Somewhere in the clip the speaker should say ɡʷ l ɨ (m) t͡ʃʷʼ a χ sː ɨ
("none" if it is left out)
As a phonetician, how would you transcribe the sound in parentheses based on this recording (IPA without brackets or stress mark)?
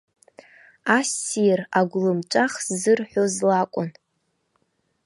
m